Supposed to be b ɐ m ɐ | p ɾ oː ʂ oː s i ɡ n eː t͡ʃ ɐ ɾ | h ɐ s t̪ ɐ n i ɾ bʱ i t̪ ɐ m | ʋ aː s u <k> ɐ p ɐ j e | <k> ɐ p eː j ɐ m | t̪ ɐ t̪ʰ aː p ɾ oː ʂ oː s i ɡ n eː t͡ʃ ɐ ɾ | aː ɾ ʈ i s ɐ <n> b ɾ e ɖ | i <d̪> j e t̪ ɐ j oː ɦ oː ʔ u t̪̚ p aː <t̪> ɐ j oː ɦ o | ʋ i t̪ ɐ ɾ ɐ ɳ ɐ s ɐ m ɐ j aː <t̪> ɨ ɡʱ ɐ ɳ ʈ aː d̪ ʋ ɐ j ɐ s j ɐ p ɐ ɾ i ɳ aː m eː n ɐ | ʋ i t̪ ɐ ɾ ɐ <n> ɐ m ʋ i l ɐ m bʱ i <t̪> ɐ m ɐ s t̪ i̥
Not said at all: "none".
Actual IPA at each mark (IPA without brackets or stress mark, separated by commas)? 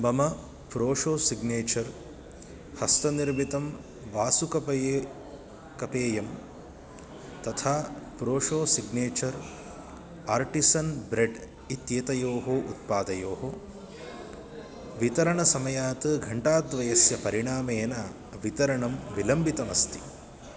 k, k, n, t̪, d̪, t̪, ɳ, t̪